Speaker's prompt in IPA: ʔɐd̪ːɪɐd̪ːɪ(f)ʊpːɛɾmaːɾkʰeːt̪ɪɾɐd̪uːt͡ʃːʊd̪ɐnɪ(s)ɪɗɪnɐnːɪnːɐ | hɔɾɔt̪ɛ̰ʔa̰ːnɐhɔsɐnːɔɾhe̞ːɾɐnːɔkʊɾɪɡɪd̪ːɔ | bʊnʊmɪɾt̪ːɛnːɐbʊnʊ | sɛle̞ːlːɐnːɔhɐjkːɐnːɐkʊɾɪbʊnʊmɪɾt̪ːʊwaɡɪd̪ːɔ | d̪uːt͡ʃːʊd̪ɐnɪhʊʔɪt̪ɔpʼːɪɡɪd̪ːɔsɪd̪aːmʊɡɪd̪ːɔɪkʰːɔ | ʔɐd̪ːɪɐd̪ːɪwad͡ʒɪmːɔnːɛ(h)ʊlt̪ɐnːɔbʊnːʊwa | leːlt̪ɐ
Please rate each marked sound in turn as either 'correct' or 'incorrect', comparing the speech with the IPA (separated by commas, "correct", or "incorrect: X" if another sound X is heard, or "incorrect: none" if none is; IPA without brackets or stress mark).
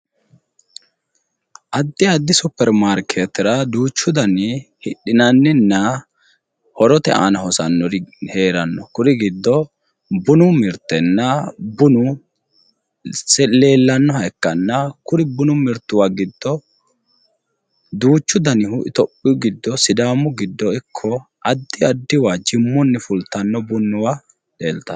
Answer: incorrect: s, incorrect: h, incorrect: f